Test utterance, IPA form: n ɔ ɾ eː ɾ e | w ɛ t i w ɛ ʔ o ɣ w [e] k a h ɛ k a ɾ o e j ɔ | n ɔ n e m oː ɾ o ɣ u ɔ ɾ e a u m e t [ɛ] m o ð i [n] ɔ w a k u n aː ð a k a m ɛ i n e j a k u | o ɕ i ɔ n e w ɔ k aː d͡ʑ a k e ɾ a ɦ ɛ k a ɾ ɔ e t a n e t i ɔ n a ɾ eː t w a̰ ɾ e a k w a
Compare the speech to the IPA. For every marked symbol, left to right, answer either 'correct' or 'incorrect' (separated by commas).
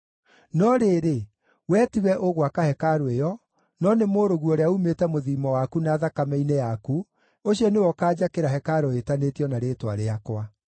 incorrect, correct, incorrect